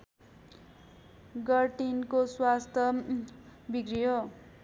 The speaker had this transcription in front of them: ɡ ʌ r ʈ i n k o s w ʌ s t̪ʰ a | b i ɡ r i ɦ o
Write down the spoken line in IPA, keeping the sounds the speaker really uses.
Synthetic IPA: ɡ ʌ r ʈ i n k o s w a s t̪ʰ ʌ | b i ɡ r i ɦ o